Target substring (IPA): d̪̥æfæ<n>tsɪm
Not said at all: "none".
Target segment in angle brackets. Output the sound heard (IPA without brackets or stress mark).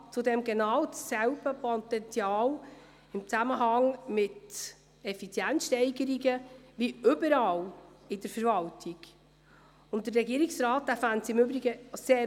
n